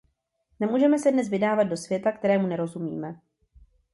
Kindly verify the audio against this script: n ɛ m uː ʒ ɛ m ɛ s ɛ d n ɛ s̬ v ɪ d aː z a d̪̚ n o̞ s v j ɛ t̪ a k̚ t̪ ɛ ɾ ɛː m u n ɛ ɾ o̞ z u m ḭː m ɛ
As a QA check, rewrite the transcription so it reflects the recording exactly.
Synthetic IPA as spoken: n ɛ m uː ʒ ɛ m ɛ s ɛ d n ɛ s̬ v ɪ d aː v a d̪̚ d o̞ s v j ɛ t̪ a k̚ t̪ ɛ ɾ ɛː m u n ɛ ɾ o̞ z u m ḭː m ɛ